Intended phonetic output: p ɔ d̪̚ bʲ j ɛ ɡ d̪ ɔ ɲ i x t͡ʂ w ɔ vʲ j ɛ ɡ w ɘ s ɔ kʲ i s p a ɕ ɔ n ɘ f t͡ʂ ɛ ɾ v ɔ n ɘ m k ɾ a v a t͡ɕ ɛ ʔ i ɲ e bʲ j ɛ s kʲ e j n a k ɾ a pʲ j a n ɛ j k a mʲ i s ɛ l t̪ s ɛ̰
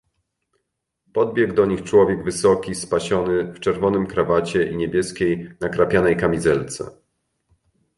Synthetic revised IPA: p ɔ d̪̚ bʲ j ɛ ɡ d̪ ɔ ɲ i x t͡ʂ w ɔ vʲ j ɛ ɡ v ɘ s ɔ kʲ i s p a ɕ ɔ n ɘ f t͡ʂ ɛ ɾ v ɔ n ɘ m k ɾ a v a t͡ɕ ɛ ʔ i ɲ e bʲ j ɛ s kʲ e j n a k ɾ a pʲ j a n ɛ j k a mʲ i z ɛ l t̪ s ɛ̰